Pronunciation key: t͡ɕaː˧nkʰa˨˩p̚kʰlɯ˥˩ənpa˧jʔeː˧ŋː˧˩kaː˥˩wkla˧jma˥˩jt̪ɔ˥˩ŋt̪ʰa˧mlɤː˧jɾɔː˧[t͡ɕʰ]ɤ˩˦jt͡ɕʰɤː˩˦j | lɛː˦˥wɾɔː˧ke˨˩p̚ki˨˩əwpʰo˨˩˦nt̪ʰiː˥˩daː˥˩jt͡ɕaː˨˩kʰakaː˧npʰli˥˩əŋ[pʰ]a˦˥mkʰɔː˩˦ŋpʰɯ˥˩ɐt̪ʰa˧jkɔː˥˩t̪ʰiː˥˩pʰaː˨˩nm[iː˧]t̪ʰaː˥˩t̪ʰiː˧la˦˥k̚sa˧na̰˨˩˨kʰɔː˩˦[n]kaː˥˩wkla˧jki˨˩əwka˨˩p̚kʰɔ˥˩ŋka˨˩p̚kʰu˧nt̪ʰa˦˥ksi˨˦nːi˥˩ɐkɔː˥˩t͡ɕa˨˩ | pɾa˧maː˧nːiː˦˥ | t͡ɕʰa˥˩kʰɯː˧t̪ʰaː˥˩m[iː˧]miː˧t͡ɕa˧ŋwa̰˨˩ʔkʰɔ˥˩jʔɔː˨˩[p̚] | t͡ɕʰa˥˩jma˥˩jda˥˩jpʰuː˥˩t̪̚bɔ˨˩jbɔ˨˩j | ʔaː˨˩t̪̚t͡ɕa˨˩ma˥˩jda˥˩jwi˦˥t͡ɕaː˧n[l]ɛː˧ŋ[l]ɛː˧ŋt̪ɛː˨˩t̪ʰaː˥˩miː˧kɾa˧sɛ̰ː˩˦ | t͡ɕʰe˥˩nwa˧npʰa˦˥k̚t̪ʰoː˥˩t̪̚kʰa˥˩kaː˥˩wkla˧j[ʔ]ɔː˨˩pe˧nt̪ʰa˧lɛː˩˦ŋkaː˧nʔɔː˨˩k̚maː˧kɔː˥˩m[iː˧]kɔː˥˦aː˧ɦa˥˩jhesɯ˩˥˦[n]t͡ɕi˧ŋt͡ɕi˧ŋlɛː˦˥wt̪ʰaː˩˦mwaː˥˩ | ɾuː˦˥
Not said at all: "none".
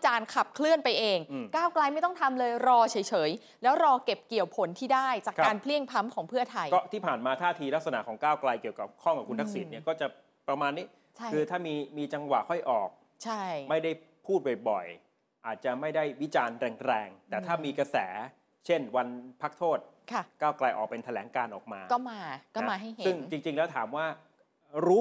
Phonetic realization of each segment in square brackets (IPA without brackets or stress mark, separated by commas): t͡ɕʰ, pʰ, aː˧, ŋ, iː˧, k̚, ɾ, ɾ, ʔ, aː˧, ŋ